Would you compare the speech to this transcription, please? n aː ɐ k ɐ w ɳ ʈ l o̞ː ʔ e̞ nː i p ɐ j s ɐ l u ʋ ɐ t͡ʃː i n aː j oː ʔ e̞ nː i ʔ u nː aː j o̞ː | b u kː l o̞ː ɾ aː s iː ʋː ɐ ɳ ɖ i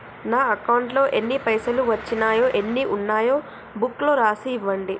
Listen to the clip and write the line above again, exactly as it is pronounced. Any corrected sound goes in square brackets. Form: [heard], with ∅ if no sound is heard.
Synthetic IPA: n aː ɐ k ɐ w ɳ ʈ l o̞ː ʔ e̞ nː i p ɐ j s ɐ l u ʋ ɐ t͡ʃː i n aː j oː ʔ e̞ nː i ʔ u nː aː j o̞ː | b u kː l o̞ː ɾ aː s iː ʋː ɐ ɳ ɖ i